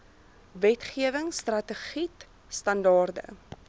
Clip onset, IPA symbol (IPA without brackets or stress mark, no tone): v